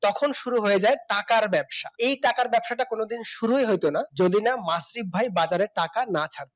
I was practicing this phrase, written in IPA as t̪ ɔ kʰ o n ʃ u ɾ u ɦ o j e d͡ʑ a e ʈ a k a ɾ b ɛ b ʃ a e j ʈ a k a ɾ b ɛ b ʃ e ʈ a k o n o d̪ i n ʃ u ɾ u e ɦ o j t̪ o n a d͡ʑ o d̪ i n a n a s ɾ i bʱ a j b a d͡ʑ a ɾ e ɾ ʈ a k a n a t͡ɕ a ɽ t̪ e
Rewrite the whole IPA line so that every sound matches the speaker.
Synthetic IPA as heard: t̪ ɔ kʰ o n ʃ u ɾ u ɦ o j e d͡ʑ a e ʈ a k a ɾ b ɛ b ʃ a e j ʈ a k a ɾ b ɛ b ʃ a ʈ a k o n o d̪ i n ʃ u ɾ u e ɦ o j t̪ o n a d͡ʑ o d̪ i n a m a s ɾ i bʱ a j b a d͡ʑ a ɾ e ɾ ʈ a k a n a t͡ɕʰ a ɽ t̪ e